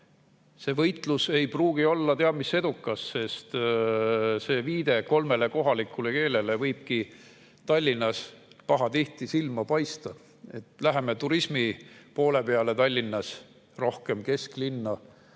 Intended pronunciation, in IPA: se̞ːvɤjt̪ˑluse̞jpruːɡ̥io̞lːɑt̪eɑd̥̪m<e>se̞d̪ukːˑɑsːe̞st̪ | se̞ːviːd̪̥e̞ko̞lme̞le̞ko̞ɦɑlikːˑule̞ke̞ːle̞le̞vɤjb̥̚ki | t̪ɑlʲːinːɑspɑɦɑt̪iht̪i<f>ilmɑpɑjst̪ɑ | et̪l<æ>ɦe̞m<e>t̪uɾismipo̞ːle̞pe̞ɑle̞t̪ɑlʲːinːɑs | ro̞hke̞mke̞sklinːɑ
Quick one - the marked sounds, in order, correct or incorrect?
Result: incorrect, incorrect, correct, correct

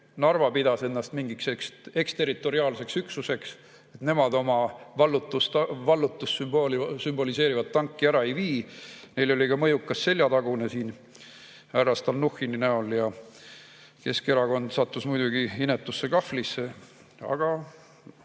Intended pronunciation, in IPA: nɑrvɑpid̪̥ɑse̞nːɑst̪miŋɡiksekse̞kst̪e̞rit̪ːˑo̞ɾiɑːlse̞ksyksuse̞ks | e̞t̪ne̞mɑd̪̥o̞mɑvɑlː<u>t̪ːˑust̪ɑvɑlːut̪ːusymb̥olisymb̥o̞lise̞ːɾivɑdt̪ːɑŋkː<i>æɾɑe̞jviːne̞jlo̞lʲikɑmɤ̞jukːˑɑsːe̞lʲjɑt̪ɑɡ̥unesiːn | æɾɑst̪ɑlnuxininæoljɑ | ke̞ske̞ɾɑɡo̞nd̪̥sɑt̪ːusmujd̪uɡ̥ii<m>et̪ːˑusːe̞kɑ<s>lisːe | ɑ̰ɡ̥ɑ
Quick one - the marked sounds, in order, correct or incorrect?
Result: correct, correct, incorrect, incorrect

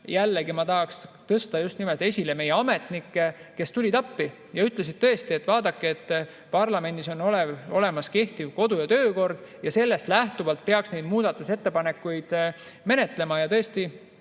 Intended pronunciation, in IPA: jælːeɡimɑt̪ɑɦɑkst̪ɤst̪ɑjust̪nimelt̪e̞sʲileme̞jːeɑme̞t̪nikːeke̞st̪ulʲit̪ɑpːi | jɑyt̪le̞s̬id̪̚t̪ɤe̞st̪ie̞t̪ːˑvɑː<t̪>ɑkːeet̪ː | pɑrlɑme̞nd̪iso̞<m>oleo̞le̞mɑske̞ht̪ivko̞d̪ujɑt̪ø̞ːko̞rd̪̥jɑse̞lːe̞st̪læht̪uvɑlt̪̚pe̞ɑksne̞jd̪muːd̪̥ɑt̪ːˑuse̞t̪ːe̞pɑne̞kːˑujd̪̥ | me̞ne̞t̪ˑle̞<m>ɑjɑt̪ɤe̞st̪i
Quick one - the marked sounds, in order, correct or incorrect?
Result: incorrect, incorrect, correct

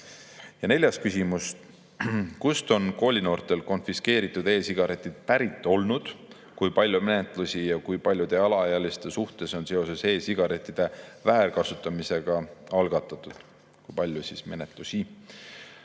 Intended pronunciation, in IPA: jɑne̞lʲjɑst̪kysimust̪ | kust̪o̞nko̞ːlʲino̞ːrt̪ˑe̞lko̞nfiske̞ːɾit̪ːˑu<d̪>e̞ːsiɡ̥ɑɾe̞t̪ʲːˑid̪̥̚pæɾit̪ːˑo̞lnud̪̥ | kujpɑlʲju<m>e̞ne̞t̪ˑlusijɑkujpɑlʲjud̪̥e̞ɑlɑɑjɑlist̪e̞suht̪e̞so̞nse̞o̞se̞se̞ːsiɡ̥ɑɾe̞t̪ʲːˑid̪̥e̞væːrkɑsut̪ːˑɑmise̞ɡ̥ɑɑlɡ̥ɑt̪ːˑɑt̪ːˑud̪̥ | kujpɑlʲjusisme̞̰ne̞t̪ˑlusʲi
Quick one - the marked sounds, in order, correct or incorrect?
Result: correct, correct

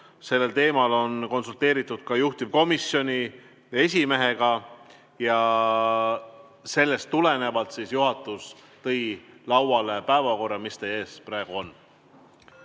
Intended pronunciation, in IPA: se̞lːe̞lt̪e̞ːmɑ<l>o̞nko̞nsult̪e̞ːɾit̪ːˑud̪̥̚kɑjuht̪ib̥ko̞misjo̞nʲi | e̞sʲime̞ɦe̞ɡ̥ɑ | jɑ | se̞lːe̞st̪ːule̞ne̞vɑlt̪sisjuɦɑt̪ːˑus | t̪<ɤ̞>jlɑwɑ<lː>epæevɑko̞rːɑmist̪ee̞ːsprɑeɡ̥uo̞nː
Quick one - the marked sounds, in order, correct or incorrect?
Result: correct, correct, incorrect

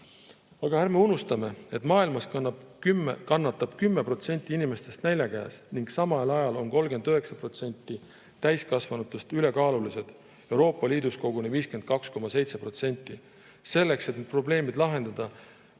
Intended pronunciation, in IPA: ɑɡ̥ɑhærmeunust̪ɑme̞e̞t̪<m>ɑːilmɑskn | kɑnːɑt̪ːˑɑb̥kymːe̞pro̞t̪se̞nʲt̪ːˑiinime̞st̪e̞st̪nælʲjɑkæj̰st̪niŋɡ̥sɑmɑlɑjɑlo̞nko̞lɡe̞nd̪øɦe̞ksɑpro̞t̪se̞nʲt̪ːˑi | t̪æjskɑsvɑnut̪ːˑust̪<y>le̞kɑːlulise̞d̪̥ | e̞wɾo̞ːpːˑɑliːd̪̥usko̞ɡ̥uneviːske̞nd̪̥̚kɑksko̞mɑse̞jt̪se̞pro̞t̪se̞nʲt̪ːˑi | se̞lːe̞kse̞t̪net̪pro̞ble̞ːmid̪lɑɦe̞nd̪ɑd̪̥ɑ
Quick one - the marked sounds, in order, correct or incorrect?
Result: correct, correct

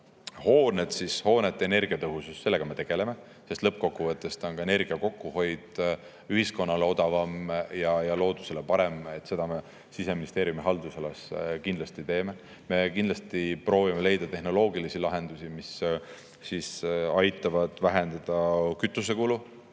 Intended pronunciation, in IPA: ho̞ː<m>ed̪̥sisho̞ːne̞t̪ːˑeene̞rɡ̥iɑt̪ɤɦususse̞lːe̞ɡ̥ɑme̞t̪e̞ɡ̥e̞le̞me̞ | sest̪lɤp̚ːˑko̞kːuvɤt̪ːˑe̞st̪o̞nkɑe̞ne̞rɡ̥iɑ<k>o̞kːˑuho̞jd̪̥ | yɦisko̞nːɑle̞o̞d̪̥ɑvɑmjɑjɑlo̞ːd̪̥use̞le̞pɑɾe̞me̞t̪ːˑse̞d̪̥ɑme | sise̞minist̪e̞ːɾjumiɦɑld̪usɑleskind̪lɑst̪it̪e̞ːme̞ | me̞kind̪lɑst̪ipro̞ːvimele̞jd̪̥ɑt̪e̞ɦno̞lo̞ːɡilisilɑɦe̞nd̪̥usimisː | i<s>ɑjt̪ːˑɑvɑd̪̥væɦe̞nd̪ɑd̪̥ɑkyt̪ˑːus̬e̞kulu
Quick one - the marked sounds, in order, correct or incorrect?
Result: incorrect, correct, correct

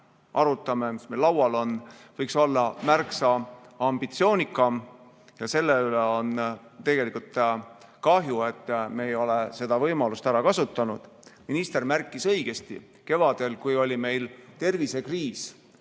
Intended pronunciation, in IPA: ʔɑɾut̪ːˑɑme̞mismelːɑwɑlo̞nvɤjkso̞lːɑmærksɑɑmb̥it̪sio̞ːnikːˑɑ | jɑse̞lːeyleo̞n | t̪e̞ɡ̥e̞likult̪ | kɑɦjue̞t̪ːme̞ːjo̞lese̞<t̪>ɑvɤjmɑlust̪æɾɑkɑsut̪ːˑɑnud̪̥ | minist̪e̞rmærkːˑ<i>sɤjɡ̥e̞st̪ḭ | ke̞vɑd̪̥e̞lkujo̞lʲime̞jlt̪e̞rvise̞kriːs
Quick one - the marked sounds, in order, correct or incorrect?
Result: incorrect, correct

